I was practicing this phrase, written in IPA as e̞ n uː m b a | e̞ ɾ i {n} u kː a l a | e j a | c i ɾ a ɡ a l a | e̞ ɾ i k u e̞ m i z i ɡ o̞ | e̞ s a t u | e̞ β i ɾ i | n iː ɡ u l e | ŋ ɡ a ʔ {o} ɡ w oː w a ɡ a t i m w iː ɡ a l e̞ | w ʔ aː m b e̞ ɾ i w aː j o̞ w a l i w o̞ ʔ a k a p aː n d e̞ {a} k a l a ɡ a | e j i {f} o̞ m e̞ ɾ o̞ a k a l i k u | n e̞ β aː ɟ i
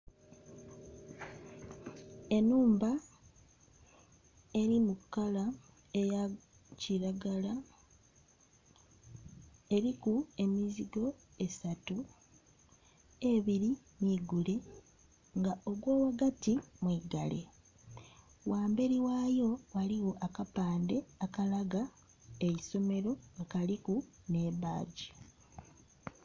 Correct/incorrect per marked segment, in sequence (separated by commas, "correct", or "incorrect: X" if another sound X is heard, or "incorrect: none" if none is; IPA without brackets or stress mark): incorrect: m, correct, correct, incorrect: s